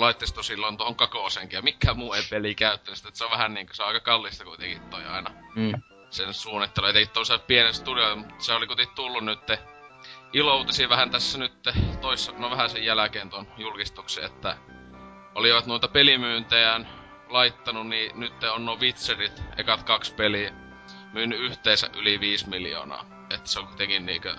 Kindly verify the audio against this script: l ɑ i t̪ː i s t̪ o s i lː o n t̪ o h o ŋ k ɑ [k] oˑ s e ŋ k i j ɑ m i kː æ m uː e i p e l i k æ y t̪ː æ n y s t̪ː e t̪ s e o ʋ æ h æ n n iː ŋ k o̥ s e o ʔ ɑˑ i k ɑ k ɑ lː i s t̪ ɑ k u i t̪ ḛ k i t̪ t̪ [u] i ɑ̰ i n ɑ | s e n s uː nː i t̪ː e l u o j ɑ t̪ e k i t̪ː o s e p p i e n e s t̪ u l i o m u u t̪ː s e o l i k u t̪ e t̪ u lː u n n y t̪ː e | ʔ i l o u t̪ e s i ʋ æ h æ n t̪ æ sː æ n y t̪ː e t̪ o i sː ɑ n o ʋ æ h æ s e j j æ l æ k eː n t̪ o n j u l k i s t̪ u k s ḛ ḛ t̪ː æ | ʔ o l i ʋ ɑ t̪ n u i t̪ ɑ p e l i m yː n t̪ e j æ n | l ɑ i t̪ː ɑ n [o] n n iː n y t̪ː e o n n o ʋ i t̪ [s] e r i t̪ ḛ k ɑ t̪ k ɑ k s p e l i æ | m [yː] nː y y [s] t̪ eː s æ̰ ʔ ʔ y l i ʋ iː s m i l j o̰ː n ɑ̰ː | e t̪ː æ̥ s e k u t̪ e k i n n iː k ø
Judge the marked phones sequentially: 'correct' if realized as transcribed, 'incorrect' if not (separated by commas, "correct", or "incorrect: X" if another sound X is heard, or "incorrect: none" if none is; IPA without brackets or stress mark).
correct, incorrect: o, incorrect: u, correct, correct, incorrect: h